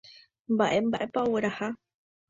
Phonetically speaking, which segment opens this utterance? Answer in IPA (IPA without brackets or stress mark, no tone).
m